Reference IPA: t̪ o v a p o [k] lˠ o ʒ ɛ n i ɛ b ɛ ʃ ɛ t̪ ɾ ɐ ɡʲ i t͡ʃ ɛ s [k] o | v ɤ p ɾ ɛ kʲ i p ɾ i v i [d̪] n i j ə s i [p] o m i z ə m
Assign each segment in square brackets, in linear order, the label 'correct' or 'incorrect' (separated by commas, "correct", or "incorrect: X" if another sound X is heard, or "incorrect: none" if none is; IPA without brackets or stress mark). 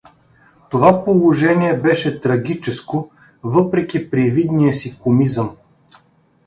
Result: incorrect: none, correct, correct, incorrect: k